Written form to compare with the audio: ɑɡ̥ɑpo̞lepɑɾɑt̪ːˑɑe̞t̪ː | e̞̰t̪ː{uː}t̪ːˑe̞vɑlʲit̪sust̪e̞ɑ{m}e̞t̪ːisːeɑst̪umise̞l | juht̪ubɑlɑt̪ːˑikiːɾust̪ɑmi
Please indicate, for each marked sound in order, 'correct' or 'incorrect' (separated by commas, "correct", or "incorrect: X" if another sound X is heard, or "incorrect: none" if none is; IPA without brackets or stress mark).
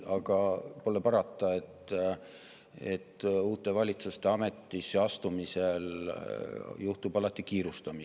correct, correct